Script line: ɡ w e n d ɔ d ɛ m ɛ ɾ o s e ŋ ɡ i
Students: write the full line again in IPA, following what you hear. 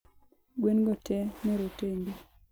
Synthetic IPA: ɡ w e n ɡ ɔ t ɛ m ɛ ɾ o t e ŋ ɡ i

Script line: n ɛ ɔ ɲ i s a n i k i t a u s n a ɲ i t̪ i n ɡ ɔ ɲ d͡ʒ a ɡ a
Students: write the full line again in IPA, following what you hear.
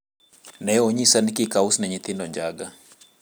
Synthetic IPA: n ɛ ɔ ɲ i s a n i k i k a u s n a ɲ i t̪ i n d ɔ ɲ d͡ʒ a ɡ a

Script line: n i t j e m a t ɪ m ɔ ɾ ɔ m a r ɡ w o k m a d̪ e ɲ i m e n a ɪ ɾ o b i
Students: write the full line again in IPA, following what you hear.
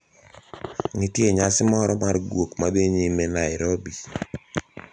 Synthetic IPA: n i t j e ɲ a s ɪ m ɔ ɾ ɔ m a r ɡ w o k m a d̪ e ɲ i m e n a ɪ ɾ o b i

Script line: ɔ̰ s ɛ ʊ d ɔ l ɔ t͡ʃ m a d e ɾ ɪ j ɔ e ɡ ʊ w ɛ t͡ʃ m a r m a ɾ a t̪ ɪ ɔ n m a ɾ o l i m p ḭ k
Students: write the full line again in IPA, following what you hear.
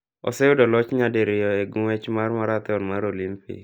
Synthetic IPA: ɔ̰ s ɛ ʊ d ɔ l ɔ t͡ʃ ɲ a d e ɾ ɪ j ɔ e ɡ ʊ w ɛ t͡ʃ m a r m a ɾ a t̪ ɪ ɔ n m a ɾ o l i m p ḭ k

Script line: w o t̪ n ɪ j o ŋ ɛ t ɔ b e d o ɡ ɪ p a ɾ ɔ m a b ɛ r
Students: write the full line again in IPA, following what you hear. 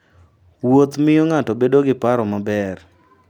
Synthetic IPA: w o t̪ m ɪ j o ŋ a t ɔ b e d o ɡ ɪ p a ɾ ɔ m a b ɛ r

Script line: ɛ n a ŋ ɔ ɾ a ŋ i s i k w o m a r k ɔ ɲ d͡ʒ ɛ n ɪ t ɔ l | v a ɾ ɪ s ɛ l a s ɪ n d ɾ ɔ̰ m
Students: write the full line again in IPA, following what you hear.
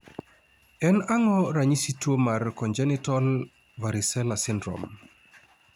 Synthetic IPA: ɛ n a ŋ ɔ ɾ a ɲ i s i t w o m a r k ɔ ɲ d͡ʒ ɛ n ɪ t ɔ l | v a ɾ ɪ s ɛ l a s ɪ n d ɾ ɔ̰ m

